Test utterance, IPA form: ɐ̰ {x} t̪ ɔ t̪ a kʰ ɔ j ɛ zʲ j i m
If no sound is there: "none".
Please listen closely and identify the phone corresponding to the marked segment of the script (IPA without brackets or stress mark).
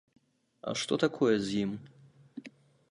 ʂ